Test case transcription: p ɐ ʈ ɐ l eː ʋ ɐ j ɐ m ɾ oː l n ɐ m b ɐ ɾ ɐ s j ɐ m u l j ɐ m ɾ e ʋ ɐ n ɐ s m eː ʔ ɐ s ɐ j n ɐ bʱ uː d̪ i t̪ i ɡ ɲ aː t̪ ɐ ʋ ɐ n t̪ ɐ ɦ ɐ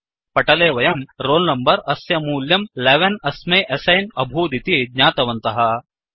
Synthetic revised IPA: p ɐ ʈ ɐ l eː ʋ ɐ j ɐ m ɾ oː l n ɐ m b ɐ ɾ ɐ s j ɐ m uː l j ɐ m l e ʋ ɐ n ɐ s m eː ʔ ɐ s ɐ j n ɐ bʱ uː d̪ i t̪ i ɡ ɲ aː t̪ ɐ ʋ ɐ n t̪ ɐ ɦ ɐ